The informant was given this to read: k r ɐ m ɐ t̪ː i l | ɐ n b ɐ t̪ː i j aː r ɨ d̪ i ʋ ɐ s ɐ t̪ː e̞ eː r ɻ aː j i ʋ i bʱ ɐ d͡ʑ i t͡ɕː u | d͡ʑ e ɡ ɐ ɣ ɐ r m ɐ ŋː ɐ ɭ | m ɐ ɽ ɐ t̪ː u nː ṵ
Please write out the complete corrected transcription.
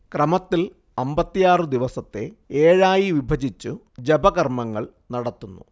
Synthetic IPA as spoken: k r ɐ m ɐ t̪ː i l | ɐ m b ɐ t̪ː i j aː r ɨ d̪ i ʋ ɐ s ɐ t̪ː e̞ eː ɻ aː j i ʋ i bʱ ɐ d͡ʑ i t͡ɕː u | d͡ʑ e b ɐ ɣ ɐ r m ɐ ŋː ɐ ɭ | n ɐ ɽ ɐ t̪ː u nː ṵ